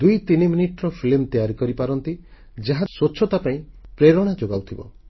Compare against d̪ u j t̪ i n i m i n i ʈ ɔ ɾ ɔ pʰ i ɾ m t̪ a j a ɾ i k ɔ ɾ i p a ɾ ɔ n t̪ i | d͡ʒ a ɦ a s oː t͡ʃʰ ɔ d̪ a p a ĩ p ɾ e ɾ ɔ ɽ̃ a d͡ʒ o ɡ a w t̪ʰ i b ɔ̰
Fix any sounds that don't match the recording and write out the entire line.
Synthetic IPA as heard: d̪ u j t̪ i n i m i n i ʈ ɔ ɾ ɔ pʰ i l m t̪ i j a ɾ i k ɔ ɾ i p a ɾ ɔ n t̪ i | d͡ʒ a ɦ a s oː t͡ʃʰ ɔ t̪ a p a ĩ p ɾ e ɾ ɔ ɽ̃ a d͡ʒ o ɡ a w t̪ʰ i b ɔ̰